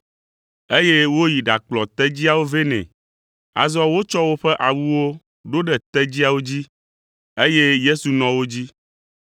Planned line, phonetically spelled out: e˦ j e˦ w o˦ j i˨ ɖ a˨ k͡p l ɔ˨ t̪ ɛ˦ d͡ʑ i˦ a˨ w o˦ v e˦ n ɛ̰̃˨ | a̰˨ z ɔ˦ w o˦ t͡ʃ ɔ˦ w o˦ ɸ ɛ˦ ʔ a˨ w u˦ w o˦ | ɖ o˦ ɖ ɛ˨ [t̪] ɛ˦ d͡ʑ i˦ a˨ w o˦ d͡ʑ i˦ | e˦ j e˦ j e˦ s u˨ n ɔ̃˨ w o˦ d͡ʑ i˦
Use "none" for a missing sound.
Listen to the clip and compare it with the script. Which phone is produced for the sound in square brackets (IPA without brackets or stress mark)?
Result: t̪